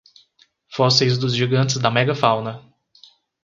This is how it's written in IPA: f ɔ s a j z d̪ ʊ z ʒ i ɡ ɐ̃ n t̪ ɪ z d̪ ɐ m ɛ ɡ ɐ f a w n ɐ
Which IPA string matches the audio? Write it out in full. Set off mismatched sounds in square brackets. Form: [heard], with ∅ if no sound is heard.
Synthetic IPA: f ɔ s [e] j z d̪ ʊ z ʒ i ɡ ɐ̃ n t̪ ɪ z d̪ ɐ m ɛ ɡ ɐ f a w n ɐ